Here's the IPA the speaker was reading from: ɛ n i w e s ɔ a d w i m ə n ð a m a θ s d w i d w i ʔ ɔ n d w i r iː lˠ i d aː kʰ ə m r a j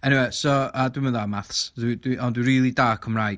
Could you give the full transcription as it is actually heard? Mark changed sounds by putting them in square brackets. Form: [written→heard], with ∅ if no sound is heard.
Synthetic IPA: ɛ n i w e s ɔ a d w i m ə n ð a m a θ s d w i d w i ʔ ɔ n d w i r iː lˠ i d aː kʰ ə m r a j